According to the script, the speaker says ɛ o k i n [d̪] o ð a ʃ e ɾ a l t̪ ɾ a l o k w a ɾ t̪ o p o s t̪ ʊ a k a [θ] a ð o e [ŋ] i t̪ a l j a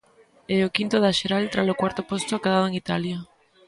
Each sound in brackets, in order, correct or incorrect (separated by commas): incorrect, incorrect, correct